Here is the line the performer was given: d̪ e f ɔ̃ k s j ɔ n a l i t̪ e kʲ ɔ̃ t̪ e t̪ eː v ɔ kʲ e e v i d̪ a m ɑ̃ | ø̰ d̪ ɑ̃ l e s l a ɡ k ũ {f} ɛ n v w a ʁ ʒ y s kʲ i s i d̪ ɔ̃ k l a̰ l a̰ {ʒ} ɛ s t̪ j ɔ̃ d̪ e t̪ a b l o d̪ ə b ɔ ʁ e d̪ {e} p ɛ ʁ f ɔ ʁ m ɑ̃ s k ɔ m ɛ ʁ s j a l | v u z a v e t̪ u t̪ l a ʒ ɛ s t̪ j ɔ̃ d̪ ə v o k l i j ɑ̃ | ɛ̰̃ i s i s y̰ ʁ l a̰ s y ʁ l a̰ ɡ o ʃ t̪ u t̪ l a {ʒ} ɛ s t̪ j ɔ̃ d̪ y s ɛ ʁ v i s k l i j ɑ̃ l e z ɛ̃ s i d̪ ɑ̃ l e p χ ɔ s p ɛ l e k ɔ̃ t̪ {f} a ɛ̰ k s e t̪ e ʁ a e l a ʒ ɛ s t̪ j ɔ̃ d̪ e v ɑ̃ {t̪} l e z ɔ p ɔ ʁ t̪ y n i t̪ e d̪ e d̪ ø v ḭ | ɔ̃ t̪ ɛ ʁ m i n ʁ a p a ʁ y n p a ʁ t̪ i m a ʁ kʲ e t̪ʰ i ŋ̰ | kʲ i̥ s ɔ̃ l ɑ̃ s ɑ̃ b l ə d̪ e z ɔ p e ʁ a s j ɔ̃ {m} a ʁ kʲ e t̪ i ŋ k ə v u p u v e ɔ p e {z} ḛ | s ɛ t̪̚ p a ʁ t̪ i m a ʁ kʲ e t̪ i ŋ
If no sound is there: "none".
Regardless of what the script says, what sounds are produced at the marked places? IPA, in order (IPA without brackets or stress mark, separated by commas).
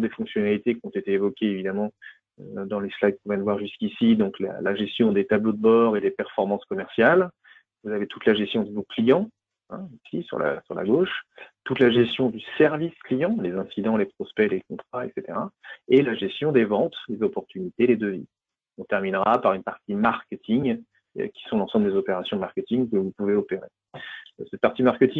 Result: v, ʒ, e, ʒ, χ, t̪, m, ʁ